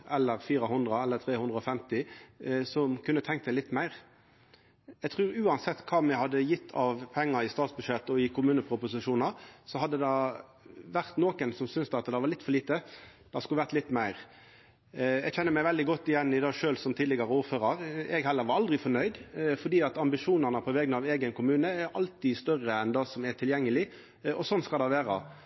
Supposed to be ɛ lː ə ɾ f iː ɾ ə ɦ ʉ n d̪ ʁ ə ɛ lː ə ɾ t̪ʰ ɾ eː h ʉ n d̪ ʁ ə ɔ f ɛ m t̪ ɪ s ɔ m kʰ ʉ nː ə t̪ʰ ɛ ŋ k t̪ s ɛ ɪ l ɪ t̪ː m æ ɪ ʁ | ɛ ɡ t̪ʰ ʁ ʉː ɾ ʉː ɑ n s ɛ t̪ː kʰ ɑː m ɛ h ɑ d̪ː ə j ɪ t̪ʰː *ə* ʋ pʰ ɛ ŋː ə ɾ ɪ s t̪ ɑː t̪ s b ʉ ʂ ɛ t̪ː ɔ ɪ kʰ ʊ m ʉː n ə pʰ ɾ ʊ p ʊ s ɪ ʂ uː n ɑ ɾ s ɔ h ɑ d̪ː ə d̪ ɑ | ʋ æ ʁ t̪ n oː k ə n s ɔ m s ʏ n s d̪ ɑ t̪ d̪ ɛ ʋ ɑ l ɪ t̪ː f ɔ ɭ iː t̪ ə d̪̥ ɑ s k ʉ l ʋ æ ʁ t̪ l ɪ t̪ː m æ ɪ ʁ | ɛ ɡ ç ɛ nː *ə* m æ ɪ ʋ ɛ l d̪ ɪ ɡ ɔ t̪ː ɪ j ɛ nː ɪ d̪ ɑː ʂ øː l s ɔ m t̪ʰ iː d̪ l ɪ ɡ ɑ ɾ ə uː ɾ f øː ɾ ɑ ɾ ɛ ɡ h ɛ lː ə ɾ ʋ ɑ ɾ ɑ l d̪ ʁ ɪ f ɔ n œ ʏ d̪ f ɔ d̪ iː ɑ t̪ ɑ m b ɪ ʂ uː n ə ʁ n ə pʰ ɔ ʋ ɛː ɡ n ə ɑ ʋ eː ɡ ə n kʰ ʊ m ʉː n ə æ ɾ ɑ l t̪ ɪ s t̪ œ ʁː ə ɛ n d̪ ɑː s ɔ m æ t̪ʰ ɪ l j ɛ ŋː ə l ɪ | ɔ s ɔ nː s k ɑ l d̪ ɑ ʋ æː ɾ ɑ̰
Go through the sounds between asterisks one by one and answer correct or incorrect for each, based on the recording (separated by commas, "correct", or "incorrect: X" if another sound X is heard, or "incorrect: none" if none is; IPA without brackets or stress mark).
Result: incorrect: ɑ, correct